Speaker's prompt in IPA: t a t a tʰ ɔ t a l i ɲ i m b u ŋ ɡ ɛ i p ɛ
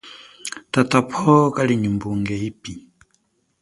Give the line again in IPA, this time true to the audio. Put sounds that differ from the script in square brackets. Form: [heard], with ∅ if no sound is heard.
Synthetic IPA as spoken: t a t a [pʰ] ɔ [k] a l i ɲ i m b u ŋ ɡ ɛ i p [i]